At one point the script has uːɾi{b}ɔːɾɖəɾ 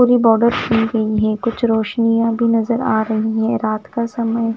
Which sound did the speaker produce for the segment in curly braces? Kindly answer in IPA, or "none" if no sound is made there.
b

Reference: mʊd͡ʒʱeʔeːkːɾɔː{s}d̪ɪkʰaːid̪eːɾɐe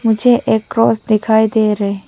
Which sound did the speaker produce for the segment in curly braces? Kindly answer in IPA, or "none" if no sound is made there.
s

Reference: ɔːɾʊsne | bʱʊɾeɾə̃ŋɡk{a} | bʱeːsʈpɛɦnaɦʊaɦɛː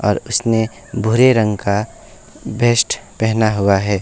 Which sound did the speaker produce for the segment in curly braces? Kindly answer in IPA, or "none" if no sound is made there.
a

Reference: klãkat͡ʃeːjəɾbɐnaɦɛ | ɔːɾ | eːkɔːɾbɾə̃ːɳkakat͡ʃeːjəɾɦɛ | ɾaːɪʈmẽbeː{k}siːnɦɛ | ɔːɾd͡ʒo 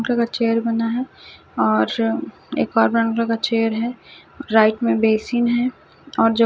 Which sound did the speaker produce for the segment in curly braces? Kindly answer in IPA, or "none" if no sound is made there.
none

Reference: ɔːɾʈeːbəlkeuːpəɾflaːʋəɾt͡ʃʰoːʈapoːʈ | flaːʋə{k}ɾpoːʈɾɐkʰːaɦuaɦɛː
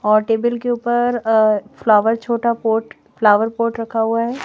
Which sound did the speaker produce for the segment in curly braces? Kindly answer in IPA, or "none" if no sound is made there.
none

